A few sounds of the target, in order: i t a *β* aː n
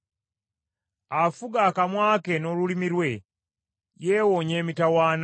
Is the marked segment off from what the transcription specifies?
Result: yes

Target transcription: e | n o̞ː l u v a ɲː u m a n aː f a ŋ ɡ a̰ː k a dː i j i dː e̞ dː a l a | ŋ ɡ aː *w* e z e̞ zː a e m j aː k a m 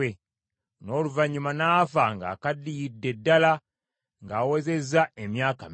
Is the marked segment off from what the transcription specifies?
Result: no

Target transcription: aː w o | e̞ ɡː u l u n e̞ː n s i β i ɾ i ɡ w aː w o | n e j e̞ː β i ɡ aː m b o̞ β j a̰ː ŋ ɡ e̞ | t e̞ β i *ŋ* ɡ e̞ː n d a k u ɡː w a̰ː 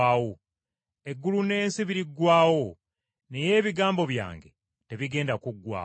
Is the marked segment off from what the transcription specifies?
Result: yes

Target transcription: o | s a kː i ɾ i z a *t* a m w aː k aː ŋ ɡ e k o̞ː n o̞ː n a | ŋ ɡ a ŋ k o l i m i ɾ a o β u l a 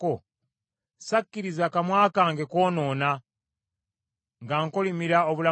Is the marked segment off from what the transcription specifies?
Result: yes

